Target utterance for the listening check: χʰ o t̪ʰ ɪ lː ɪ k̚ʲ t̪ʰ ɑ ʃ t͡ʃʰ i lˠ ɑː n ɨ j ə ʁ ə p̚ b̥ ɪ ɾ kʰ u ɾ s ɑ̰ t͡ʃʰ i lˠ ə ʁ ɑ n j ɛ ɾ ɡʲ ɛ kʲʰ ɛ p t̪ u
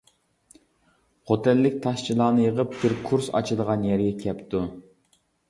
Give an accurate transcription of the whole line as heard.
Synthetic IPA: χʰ o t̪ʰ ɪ lː ɪ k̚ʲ t̪ʰ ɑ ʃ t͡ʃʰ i lˠ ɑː n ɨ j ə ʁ ə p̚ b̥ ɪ ɾ kʰ u ɾ s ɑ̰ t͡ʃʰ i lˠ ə ʁ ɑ n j ɛ ɾ ɡʲ ɛ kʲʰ ɛ p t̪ u